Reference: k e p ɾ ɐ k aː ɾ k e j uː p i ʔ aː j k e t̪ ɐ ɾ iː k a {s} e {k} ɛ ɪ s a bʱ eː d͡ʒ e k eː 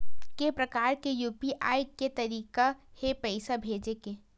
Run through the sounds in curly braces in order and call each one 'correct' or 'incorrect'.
incorrect: h, incorrect: p

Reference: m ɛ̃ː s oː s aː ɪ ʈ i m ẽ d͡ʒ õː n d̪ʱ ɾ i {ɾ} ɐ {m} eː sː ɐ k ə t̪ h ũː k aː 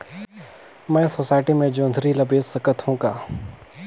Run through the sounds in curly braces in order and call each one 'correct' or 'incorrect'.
incorrect: l, incorrect: b

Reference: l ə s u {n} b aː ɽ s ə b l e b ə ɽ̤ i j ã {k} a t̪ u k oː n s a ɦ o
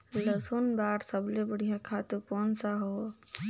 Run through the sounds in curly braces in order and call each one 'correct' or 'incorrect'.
correct, incorrect: kʰ

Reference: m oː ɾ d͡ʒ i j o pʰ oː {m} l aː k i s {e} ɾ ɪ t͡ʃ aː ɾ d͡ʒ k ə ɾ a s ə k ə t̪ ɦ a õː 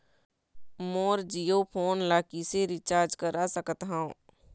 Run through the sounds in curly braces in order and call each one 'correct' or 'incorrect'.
incorrect: n, correct

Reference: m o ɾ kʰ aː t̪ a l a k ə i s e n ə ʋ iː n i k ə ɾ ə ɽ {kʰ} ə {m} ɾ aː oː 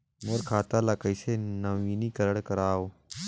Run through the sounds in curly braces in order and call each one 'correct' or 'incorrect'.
incorrect: k, incorrect: none

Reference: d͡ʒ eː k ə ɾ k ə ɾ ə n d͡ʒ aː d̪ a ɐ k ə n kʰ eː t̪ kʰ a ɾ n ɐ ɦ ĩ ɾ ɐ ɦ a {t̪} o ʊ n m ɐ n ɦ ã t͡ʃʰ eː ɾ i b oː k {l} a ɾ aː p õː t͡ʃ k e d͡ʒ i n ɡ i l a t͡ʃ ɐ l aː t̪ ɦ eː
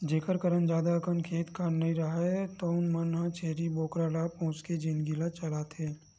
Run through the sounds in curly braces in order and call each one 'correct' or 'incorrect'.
correct, incorrect: ɾ

